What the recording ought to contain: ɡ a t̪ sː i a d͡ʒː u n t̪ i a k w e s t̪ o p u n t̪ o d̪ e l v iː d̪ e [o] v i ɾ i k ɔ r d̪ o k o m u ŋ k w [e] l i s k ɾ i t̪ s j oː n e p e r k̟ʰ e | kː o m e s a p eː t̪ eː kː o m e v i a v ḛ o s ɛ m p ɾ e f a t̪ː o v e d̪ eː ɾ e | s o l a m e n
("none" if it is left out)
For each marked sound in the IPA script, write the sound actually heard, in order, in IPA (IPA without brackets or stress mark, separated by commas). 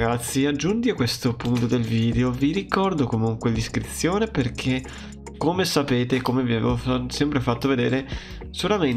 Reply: o, e